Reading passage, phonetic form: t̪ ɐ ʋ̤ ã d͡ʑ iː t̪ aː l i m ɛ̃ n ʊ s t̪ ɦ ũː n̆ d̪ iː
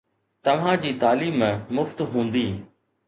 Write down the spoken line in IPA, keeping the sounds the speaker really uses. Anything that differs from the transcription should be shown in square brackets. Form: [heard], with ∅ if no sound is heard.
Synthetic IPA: t̪ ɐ ʋ̤ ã d͡ʑ iː t̪ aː l [iː] m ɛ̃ [m] ʊ [f] t̪ ɦ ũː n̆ d̪ iː